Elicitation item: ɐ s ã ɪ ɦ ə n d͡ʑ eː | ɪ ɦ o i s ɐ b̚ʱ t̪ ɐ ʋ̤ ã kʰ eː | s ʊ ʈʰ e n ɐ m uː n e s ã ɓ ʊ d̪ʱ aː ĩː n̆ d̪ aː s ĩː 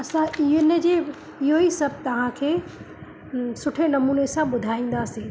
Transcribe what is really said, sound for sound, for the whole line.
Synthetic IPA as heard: ɐ s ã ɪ ɦ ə n d͡ʑ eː | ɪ ɦ o i s ɐ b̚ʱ t̪ ɐ ʋ̤ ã kʰ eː | s ʊ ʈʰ e n ɐ m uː n e s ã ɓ ʊ d̪ʱ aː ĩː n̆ d̪ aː s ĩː

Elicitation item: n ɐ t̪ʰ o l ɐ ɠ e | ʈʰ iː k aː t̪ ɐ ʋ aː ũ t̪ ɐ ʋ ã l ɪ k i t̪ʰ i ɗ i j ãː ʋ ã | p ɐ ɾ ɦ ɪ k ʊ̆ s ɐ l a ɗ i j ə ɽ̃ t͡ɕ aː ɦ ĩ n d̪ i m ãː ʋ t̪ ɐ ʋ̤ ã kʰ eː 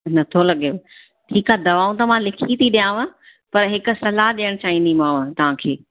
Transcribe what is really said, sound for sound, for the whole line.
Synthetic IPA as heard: n ɐ t̪ʰ o l ɐ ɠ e | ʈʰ iː k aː d̪ ɐ ʋ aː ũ t̪ ɐ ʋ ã l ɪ kʰ i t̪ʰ i ɗ i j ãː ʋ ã | p ɐ ɾ ɦ ɪ k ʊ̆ s ɐ l a ɗ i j ə ɽ̃ t͡ɕ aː ɦ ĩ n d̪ i m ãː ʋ t̪ ɐ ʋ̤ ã kʰ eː

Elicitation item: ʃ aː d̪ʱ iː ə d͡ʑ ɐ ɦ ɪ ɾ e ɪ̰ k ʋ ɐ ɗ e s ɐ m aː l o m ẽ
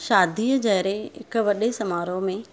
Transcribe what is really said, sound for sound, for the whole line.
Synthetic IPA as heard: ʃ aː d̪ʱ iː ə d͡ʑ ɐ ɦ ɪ ɾ e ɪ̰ k ʋ ɐ ɗ e s ɐ m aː ɾ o m ẽ

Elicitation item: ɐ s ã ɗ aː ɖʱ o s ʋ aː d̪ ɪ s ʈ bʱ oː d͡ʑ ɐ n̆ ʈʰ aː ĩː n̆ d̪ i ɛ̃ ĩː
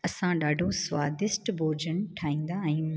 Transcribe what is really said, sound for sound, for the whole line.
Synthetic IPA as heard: ɐ s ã ɗ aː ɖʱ o s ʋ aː d̪ ɪ s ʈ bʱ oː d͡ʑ ə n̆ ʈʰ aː ĩː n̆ d̪ a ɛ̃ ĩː

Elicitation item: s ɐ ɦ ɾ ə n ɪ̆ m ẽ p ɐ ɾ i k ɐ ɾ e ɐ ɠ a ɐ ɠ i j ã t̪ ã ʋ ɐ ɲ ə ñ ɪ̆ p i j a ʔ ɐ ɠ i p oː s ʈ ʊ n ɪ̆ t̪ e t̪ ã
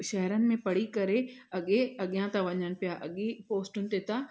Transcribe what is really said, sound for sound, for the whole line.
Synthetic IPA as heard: ʃ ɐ ɦ ɾ ə n ɪ̆ m ẽ p ɐ ɽ i k ɐ ɾ e ɐ ɠ e ɐ ɠ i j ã t̪ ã ʋ ɐ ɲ ə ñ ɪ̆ p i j a ʔ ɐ ɠ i p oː s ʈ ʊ n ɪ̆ t̪ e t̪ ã

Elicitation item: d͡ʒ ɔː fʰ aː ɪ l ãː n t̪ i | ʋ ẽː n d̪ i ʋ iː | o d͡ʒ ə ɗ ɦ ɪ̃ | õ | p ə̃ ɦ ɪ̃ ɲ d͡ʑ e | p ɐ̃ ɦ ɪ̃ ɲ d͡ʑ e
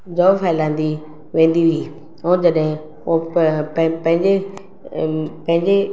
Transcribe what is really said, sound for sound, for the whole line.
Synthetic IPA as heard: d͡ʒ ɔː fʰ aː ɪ l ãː n d̪ i | ʋ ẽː n d̪ i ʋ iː | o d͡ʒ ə ɗ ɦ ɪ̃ | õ | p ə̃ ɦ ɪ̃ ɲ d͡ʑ e | p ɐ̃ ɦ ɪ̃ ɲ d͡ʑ e

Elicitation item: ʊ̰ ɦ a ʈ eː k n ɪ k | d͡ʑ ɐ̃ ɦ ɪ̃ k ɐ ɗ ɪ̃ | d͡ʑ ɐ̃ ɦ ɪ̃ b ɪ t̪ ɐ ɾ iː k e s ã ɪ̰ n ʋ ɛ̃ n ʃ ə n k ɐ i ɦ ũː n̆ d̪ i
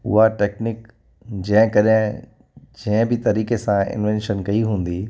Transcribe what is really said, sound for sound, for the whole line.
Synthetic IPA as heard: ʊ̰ ɦ a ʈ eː k n ɪ k | d͡ʑ ɐ̃ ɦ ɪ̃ k ɐ ɗ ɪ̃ | d͡ʑ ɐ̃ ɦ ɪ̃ b ɪ t̪ ɐ ɾ iː k e s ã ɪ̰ n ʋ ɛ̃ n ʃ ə n k ɐ i ɦ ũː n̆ d̪ i

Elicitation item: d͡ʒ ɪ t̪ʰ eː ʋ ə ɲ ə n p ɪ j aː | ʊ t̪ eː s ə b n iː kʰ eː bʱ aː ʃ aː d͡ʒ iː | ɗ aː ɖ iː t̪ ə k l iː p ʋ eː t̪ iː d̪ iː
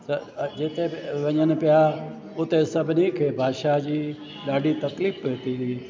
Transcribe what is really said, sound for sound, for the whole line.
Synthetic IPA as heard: d͡ʒ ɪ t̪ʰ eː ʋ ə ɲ ə n p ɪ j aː | ʊ t̪ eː s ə b n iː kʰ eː bʱ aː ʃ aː d͡ʒ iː | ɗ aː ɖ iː t̪ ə k l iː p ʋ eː t̪ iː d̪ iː

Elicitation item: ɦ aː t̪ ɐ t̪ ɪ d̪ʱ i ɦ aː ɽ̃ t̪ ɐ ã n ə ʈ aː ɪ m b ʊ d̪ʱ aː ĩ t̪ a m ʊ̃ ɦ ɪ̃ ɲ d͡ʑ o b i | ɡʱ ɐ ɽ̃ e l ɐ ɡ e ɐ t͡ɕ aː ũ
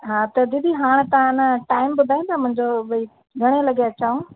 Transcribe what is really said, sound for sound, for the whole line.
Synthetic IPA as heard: ɦ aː t̪ ɐ d̪ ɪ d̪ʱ i ɦ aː ɽ̃ t̪ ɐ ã n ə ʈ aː ɪ m b ʊ d̪ʱ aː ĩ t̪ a m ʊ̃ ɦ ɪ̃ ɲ d͡ʑ o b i | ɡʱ ɐ ɽ̃ e l ɐ ɡ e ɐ t͡ɕ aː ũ

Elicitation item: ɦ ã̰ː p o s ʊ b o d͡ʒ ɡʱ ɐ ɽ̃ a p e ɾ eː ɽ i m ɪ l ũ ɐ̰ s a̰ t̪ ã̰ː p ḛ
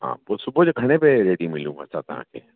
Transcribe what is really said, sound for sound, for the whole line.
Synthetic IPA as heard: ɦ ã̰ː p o s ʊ b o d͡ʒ ɡʱ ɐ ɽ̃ e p e ɾ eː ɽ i m ɪ l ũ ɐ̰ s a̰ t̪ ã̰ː k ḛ

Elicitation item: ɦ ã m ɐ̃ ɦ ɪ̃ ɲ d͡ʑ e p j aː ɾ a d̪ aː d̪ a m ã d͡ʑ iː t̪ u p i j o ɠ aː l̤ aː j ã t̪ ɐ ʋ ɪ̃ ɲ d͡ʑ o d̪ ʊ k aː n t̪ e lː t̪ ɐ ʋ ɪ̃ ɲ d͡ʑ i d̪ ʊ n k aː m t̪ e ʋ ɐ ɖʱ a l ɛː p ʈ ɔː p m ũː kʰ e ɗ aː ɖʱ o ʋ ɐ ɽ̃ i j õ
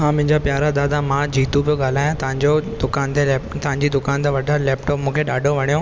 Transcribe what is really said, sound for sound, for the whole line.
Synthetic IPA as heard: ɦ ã m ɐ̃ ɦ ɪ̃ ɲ d͡ʑ a p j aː ɾ a d̪ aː d̪ a m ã d͡ʑ iː t̪ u p i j o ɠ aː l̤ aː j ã t̪ ɐ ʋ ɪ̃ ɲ d͡ʑ o d̪ ʊ k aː n t̪ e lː t̪ ɐ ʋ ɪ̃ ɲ d͡ʑ i d̪ ʊ k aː n t̪ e ʋ ɐ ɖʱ a l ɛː p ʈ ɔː p m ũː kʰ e ɗ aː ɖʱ o ʋ ɐ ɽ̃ i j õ

